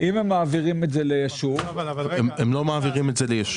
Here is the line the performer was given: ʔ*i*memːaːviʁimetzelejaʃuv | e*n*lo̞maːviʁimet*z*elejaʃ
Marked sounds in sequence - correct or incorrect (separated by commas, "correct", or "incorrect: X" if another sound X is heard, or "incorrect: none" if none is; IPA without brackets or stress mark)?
correct, incorrect: m, correct